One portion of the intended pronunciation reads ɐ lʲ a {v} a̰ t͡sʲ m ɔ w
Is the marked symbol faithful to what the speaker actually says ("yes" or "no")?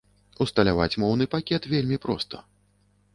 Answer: yes